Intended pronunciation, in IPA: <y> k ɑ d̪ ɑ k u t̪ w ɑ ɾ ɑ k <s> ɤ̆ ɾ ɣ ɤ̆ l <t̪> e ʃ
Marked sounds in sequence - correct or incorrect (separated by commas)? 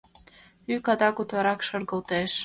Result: correct, incorrect, correct